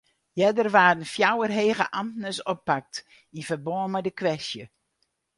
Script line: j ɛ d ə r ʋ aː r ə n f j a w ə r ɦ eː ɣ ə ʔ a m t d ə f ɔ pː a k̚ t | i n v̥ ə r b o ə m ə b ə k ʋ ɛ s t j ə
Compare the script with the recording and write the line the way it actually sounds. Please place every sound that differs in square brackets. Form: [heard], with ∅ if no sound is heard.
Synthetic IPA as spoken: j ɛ d ə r ʋ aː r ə n f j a w ə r ɦ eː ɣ ə ʔ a m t [n] ə [s] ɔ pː a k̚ t | i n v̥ ə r b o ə m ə [d] ə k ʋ ɛ s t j ə